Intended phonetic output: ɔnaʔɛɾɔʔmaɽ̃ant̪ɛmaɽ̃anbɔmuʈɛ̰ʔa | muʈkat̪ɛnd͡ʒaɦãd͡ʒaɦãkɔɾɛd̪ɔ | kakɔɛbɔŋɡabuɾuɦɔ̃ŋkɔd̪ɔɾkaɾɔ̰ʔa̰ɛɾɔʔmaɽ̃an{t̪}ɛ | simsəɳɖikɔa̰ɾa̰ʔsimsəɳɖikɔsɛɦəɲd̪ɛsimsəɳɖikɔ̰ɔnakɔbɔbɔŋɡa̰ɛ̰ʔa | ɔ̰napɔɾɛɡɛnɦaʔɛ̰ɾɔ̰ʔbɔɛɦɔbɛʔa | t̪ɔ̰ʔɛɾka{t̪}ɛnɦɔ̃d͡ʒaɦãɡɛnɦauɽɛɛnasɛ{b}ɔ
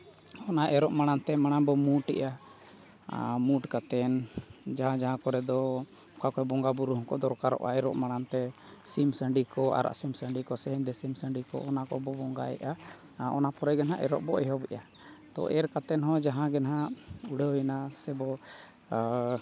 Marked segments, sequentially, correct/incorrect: correct, correct, correct

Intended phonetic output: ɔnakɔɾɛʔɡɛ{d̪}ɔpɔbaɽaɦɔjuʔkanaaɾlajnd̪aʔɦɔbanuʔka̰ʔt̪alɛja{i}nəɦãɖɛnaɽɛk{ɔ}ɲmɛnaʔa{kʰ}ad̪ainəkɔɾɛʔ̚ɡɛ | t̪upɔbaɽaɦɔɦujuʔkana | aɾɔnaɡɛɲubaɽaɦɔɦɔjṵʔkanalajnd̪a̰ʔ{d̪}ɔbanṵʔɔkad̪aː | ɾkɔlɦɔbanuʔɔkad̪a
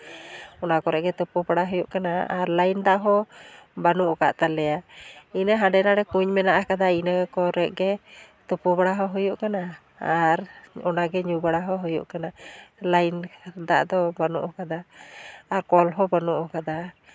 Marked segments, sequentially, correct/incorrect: incorrect: t̪, correct, incorrect: u, incorrect: k, correct

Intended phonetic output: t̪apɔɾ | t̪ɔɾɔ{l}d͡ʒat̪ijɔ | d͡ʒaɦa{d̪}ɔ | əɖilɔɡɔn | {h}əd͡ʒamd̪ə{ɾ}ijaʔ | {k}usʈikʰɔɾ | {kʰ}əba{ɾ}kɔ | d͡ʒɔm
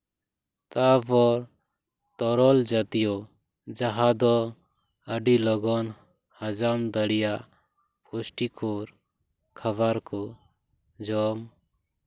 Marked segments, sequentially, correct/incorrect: correct, correct, correct, incorrect: ɽ, incorrect: p, correct, correct

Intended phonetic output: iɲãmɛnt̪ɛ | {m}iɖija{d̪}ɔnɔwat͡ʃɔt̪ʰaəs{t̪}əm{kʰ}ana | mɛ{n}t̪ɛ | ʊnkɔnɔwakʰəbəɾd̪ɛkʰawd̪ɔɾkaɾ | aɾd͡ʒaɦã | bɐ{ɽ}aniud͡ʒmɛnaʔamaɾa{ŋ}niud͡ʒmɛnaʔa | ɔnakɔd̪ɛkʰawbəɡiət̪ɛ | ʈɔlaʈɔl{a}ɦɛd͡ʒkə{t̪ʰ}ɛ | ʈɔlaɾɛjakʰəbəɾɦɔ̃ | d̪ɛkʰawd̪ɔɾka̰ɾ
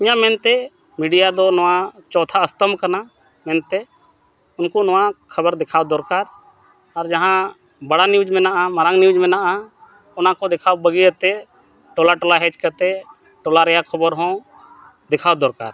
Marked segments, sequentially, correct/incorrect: correct, correct, correct, incorrect: k, correct, correct, correct, correct, incorrect: t̪

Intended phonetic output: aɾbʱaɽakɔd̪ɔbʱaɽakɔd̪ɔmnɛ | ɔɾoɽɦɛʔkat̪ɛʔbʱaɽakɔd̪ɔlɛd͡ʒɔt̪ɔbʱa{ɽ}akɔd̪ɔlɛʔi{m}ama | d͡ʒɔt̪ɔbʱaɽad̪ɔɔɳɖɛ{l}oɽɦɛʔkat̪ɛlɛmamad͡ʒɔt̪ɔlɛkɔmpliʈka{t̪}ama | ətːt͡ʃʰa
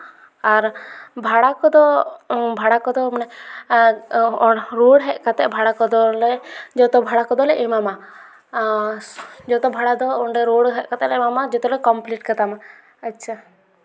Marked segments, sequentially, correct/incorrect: correct, correct, incorrect: ɾ, correct

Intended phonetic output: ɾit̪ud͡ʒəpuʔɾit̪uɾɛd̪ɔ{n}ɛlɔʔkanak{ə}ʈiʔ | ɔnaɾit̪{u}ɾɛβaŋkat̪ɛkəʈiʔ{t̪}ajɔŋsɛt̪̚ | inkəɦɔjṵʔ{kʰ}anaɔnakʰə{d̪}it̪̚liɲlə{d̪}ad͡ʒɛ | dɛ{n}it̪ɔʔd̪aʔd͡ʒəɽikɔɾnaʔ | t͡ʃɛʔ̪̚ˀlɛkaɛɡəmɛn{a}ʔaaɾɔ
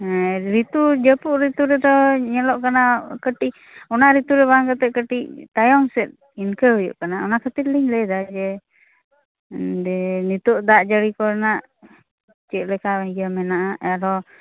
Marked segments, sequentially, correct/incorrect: incorrect: ɲ, correct, correct, correct, incorrect: k, incorrect: t̪, correct, correct, correct

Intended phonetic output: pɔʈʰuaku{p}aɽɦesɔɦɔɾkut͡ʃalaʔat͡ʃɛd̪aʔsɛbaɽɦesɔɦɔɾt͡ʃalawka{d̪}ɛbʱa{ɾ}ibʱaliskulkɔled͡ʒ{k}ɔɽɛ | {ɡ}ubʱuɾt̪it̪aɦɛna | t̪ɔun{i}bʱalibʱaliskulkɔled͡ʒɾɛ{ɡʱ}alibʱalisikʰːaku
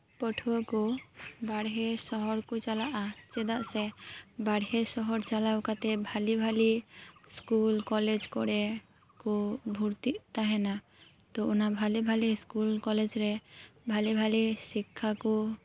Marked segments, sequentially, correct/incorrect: incorrect: b, incorrect: t̪, incorrect: l, correct, incorrect: k, incorrect: a, incorrect: bʱ

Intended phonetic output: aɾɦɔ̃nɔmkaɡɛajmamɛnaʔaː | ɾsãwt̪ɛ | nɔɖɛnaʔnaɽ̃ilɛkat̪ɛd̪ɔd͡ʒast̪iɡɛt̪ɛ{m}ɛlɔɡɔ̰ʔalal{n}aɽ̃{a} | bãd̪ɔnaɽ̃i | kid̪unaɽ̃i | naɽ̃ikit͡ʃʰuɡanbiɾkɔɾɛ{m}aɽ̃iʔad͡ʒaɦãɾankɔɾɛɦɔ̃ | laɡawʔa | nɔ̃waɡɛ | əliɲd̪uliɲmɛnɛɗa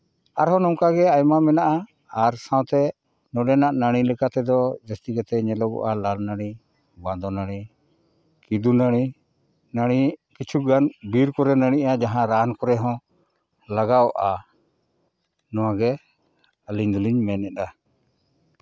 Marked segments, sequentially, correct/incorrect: incorrect: ɲ, correct, incorrect: i, incorrect: n

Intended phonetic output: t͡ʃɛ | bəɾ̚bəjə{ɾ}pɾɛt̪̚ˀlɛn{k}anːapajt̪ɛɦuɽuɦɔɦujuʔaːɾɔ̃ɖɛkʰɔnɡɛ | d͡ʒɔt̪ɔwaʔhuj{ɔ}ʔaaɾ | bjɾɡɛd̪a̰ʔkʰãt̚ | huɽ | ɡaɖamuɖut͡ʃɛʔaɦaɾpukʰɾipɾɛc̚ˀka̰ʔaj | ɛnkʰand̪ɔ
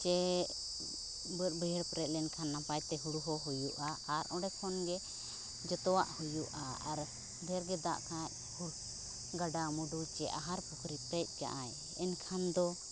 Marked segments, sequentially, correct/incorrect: correct, incorrect: kʰ, incorrect: u

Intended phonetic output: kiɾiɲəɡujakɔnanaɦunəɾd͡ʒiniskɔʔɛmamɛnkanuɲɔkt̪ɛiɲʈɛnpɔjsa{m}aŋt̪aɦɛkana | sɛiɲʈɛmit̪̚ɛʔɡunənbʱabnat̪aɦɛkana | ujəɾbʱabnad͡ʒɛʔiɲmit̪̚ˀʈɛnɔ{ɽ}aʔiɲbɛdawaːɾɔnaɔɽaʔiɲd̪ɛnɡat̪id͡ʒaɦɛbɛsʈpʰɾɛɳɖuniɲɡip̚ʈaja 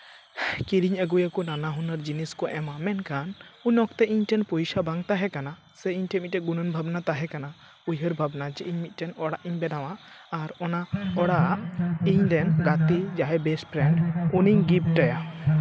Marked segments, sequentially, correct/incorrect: incorrect: b, correct

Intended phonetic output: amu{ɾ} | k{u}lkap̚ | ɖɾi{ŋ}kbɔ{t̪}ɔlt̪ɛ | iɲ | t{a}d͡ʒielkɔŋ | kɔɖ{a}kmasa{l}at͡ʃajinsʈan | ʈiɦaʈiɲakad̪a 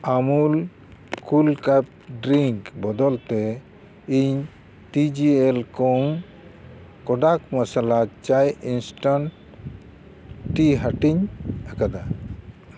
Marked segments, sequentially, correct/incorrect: incorrect: l, correct, correct, incorrect: d̪, incorrect: i, correct, correct

